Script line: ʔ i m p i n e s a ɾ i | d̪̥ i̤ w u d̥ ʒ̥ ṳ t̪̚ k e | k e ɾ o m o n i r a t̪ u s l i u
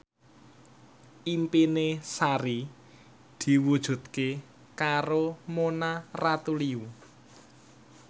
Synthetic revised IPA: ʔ i m p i n e s a ɾ i | d̪̥ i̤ w u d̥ ʒ̥ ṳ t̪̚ k e | k a ɾ o m o n a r a t̪ u l i u